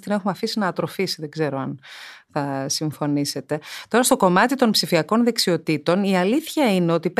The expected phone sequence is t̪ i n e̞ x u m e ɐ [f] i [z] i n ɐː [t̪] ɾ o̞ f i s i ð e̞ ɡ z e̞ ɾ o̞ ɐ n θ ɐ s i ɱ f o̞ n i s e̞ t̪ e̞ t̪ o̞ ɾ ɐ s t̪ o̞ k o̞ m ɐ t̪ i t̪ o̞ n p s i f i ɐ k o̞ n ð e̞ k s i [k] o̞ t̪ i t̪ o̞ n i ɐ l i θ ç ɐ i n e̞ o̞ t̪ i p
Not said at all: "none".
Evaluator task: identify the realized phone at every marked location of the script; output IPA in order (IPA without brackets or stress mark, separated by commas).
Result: f, s, t̪, none